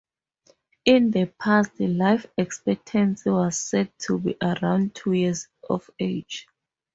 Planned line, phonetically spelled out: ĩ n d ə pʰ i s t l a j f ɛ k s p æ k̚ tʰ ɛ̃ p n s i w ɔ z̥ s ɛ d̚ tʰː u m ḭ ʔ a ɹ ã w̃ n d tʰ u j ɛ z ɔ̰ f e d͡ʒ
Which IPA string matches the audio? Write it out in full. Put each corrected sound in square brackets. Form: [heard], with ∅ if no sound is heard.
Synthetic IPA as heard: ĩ n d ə pʰ [a] s t l a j f ɛ k s p [ɛ] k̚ tʰ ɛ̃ [∅] n s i w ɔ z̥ s ɛ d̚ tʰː u [b] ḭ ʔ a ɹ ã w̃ n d tʰ u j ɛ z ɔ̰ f e d͡ʒ